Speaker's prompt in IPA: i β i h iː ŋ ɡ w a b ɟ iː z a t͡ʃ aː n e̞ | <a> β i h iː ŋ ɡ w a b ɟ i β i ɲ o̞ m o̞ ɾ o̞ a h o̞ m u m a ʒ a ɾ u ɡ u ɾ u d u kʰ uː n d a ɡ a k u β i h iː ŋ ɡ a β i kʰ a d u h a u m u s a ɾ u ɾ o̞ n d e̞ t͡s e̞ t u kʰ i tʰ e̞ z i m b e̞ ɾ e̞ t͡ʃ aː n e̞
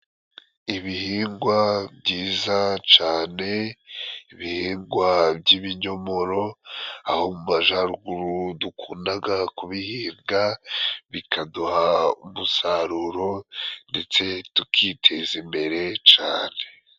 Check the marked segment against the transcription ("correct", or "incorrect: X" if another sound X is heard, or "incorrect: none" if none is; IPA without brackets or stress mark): incorrect: i